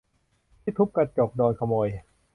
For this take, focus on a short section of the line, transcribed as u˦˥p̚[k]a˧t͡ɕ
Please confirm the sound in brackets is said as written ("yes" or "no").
yes